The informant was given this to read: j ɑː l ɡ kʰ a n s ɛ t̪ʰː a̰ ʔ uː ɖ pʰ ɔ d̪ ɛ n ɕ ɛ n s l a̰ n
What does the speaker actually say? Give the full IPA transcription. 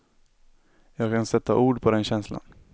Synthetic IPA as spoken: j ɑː ɡ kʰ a n s ɛ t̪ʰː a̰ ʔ uː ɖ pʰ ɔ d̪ ɛ n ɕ ɛ n s l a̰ n